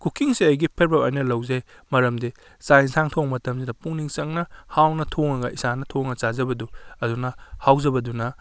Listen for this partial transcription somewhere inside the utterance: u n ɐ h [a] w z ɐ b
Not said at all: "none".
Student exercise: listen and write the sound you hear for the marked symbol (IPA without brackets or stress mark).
a